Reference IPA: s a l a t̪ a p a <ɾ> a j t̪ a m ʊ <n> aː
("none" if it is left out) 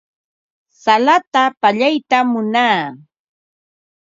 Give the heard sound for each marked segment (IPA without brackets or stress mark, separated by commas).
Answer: ʎ, n